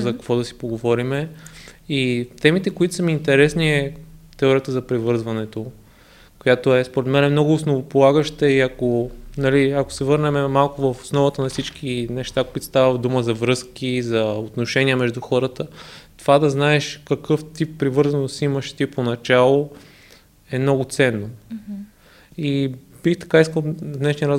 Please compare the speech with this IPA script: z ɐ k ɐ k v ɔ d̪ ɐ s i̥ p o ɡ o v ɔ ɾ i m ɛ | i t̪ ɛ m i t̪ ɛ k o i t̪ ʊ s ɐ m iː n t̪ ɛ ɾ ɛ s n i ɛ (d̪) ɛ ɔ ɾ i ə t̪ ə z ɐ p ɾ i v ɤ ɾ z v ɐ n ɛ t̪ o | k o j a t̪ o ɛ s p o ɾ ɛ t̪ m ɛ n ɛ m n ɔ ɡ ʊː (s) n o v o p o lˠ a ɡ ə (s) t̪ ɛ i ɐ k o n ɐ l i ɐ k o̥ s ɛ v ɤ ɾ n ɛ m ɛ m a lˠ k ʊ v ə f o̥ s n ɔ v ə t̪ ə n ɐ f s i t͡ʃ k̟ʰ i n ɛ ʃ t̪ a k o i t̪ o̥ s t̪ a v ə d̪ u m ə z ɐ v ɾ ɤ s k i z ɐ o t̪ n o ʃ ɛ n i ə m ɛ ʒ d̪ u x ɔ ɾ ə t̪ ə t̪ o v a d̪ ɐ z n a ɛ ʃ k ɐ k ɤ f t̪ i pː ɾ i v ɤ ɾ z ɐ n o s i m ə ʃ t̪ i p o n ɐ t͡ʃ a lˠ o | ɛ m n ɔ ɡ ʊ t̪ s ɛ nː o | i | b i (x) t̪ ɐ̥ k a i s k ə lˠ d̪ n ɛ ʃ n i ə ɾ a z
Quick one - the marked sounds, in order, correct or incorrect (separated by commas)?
incorrect, correct, incorrect, correct